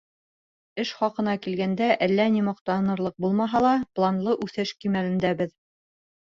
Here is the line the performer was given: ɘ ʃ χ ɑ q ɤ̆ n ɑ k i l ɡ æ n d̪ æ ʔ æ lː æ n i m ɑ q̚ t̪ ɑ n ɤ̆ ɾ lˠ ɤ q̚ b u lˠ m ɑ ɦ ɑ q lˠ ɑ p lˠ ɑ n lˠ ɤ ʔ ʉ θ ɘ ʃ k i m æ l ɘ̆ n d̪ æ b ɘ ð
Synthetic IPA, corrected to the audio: ɘ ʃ χ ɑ q ɤ̆ n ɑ k i l ɡ æ n d̪ æ ʔ æ lː æ n i m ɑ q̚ t̪ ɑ n ɤ̆ ɾ lˠ ɤ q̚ b u lˠ m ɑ ɦ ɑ lˠ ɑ p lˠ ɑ n lˠ ɤ ʔ ʉ θ ɘ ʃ k i m æ l ɘ̆ n d̪ æ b ɘ ð